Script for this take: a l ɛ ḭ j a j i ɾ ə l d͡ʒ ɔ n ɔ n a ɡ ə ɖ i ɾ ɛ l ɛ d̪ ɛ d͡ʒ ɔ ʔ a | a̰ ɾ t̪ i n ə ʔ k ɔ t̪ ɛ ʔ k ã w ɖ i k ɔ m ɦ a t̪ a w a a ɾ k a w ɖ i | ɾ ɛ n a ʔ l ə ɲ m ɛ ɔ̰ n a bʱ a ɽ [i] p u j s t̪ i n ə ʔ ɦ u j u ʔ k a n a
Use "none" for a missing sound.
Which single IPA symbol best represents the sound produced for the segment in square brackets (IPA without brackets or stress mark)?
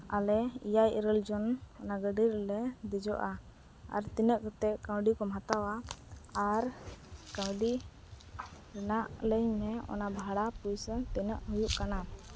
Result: a